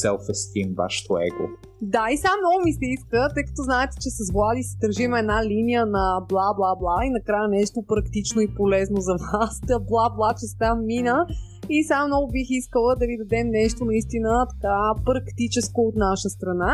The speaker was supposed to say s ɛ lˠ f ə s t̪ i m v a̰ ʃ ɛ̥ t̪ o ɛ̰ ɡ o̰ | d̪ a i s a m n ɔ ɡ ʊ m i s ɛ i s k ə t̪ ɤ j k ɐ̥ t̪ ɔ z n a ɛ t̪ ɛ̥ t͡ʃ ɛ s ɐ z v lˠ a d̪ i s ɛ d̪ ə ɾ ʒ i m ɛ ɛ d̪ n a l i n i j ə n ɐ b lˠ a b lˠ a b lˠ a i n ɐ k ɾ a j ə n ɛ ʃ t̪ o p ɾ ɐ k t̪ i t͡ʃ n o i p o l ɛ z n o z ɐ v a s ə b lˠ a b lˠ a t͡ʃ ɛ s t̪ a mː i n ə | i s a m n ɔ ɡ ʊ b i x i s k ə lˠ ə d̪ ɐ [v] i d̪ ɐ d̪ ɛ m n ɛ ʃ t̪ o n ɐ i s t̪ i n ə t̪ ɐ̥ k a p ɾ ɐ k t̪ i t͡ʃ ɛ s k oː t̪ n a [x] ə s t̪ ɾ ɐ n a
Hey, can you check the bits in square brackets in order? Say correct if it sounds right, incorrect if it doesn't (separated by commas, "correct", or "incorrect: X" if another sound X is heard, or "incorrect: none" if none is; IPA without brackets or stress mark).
correct, incorrect: ʃ